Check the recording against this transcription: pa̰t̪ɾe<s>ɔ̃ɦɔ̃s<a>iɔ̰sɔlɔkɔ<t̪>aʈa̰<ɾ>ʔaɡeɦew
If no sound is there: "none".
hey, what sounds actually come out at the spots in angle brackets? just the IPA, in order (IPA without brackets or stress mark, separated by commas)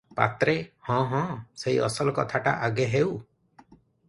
h, e, t̪ʰ, none